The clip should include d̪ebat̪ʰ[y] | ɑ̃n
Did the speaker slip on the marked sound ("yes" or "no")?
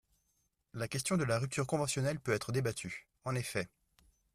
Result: no